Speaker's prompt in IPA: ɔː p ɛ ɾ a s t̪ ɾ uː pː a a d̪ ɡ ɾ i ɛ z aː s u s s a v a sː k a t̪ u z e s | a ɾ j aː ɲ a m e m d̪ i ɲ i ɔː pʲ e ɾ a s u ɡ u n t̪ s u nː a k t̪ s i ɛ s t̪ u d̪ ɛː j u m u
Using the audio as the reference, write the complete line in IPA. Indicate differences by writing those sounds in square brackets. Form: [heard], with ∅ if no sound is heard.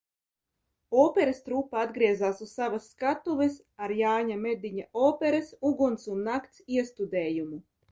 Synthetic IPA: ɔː p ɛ ɾ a s t̪ ɾ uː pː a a d̪ ɡ ɾ i ɛ z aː s u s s a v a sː k a t̪ u [v] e s | a ɾ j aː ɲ a m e [∅] d̪ i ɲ [a] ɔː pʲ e ɾ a s u ɡ u n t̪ s u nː a k t̪ s i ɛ s t̪ u d̪ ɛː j u m u